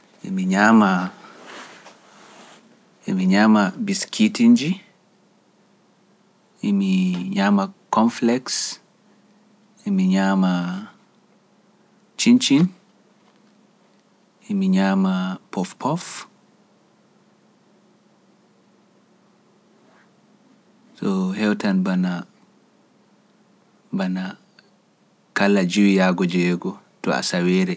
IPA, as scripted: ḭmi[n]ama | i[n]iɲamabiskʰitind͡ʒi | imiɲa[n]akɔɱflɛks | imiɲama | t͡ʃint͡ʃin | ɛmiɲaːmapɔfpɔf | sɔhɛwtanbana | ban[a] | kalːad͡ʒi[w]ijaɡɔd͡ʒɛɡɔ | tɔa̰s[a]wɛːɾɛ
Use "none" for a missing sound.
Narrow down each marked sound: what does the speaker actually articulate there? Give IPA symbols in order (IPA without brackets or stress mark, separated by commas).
ɲ, m, m, a, w, a